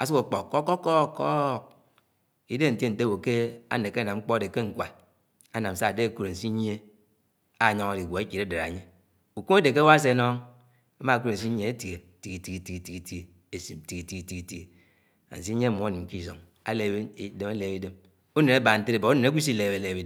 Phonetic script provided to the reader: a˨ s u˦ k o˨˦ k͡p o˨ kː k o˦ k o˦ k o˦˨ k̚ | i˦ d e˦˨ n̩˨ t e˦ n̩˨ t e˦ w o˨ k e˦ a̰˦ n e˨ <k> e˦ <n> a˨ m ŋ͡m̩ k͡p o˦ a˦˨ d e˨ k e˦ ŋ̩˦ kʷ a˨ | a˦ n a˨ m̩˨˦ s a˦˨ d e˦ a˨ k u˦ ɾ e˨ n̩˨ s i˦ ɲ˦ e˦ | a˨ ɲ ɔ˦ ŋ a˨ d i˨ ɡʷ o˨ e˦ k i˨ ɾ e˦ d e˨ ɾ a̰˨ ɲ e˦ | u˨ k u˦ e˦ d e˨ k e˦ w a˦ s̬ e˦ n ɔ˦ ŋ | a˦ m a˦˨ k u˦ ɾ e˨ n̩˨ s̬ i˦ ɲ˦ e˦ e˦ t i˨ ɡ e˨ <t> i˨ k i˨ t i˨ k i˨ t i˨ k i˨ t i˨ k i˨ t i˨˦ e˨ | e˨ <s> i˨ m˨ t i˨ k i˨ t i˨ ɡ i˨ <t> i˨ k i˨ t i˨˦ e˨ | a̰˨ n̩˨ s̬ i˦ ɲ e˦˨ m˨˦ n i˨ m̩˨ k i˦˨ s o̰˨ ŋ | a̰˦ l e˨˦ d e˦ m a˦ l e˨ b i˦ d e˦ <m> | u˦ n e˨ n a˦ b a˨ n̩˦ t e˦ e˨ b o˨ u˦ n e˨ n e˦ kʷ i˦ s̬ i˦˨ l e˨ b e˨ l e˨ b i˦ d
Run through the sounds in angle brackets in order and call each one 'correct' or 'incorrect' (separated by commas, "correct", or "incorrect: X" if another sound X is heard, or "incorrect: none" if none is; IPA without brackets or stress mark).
correct, correct, correct, correct, correct, correct